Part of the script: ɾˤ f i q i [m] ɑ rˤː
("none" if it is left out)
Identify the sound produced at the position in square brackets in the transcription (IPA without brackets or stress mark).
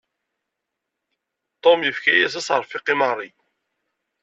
m